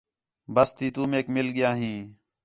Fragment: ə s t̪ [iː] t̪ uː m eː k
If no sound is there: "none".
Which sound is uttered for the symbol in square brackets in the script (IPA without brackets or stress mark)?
iː